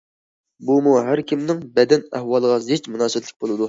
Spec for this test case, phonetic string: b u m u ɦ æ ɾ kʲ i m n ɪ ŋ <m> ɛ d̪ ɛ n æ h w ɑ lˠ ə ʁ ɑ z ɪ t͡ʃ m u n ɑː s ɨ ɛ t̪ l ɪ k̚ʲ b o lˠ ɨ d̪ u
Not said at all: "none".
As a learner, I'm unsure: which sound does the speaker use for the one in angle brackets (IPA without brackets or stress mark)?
b